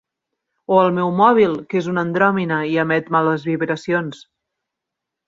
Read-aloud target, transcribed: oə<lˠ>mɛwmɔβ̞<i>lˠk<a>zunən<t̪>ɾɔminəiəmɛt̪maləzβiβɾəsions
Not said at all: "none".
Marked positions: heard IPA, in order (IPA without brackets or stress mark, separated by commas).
lˠ, i, e, d̪